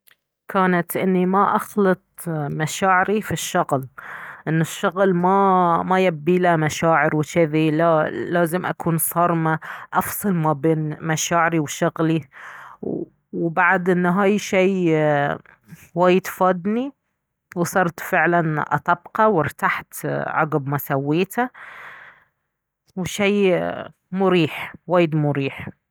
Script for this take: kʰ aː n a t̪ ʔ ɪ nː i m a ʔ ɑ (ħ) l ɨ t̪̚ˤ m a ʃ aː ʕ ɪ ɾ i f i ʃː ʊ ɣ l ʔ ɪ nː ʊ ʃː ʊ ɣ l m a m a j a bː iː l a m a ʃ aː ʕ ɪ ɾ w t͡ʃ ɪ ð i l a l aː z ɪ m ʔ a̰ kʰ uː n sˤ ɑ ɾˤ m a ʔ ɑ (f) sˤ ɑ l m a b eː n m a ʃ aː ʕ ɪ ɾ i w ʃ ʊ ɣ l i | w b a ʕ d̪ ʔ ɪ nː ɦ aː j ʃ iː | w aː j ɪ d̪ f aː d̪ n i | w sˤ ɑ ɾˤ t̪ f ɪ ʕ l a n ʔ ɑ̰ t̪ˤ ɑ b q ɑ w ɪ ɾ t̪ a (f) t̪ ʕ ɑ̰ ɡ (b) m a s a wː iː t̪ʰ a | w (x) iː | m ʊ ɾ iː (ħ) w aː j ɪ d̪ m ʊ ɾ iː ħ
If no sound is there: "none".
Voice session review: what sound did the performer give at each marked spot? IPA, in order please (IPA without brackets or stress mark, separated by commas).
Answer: x, f, ħ, b, ʃ, ħ